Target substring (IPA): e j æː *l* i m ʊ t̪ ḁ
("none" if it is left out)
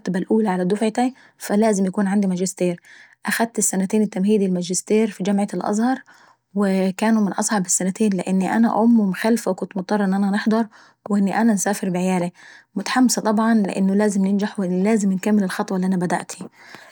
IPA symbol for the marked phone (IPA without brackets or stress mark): l